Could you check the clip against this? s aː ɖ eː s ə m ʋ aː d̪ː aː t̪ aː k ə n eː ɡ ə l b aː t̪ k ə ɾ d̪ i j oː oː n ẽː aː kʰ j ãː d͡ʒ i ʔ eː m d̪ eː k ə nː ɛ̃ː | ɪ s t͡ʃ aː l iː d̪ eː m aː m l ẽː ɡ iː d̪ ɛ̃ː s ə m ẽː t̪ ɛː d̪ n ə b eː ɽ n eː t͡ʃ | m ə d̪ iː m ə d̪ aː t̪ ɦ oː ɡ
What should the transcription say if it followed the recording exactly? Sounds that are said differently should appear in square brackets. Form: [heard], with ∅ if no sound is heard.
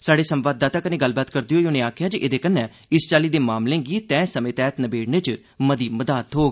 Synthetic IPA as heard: s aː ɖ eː s ə m ʋ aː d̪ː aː t̪ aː k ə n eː ɡ ə l b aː t̪ k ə ɾ d̪ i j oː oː n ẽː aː kʰ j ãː d͡ʒ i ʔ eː [∅] d̪ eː k ə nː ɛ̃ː | ɪ s t͡ʃ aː l iː d̪ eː m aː m l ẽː ɡ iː [t̪] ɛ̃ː s ə m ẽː t̪ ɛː [t̪] n ə b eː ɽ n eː t͡ʃ | m ə d̪ iː m ə d̪ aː t̪ ɦ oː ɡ